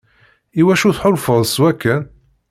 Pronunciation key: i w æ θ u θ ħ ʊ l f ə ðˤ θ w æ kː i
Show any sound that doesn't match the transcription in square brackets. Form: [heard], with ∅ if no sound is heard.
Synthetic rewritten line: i w æ [ʃ] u θ ħ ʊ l f ə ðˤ [s] w æ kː [æ]